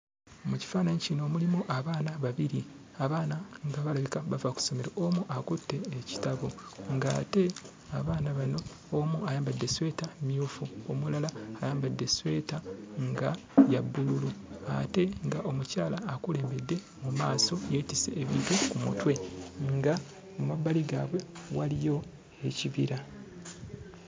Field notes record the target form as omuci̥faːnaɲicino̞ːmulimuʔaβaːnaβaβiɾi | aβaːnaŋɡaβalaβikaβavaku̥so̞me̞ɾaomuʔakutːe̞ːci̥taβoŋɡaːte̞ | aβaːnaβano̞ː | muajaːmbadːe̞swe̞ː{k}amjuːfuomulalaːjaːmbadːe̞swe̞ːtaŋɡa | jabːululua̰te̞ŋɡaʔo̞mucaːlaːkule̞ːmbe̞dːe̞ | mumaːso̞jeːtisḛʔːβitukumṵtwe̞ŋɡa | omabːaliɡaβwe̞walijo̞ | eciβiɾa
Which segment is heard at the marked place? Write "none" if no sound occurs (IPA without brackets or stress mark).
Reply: t